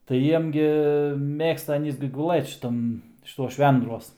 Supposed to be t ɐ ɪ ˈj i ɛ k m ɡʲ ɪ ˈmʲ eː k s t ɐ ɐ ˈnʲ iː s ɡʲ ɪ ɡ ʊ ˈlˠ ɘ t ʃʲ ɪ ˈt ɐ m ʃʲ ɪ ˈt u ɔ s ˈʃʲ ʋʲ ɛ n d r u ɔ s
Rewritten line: t ɐ ɪ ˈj i ɛ m ɡʲ ɪ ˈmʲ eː k s t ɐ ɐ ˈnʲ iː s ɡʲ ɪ ɡ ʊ ˈlˠ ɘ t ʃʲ ɪ ˈt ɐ m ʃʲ ɪ ˈt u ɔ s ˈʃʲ ʋʲ ɛ n d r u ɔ s